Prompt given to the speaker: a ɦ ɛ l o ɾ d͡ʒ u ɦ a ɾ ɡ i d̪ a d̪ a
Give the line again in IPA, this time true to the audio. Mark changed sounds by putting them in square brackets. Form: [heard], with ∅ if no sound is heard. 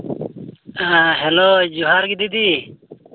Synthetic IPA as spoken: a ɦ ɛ l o [∅] d͡ʒ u ɦ a ɾ ɡ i d̪ [i] d̪ [i]